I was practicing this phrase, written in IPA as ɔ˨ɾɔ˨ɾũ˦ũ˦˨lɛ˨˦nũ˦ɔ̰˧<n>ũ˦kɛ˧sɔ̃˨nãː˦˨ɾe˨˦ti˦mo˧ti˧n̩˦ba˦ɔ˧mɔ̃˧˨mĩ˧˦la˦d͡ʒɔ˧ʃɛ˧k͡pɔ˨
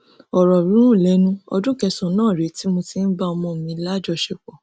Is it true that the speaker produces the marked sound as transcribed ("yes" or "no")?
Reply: no